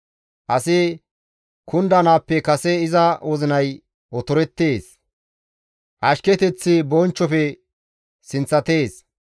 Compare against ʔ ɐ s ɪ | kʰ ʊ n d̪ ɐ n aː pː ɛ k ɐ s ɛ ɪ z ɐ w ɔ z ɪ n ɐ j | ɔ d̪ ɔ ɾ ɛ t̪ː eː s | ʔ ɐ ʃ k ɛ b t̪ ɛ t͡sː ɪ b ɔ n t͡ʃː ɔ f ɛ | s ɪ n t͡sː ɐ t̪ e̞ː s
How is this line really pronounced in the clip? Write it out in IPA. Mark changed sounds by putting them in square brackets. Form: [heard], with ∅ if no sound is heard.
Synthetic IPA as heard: ʔ ɐ s ɪ | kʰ ʊ n d̪ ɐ n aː pː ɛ k ɐ s ɛ ɪ z ɐ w ɔ z ɪ n ɐ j | ɔ [t̪] ɔ ɾ ɛ t̪ː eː s | ʔ ɐ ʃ k ɛ [∅] t̪ ɛ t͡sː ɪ b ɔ n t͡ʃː ɔ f ɛ | s ɪ n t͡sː ɐ t̪ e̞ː s